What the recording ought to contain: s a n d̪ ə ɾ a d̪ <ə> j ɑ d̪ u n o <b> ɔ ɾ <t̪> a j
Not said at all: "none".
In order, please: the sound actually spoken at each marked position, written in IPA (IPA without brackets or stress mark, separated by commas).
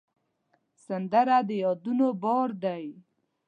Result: ə, b, d̪